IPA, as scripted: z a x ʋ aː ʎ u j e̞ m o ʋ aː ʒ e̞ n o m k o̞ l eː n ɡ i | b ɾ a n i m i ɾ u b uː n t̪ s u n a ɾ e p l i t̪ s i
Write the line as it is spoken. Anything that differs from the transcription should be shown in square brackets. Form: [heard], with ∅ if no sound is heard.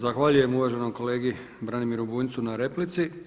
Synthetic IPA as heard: z a x ʋ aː ʎ u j e̞ m [u] ʋ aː ʒ e̞ n o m k o̞ l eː [∅] ɡ i | b ɾ a n i m i ɾ u b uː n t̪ s u n a ɾ e p l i t̪ s i